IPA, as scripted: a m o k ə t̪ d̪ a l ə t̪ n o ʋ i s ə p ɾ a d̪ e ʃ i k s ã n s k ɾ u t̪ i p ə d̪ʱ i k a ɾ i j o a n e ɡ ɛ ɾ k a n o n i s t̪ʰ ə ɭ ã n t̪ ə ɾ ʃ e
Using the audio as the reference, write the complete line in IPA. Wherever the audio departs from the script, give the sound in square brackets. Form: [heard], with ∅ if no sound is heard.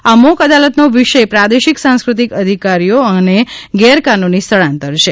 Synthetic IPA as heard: a m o k ə [∅] d̪ a l ə t̪ n o ʋ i [ʃ] ə p ɾ a d̪ e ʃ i k s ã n s k ɾ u t̪ i [k] ə d̪ʱ i k a ɾ i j o [ə] n e ɡ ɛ ɾ k a n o n i s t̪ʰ ə ɭ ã n t̪ ə ɾ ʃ e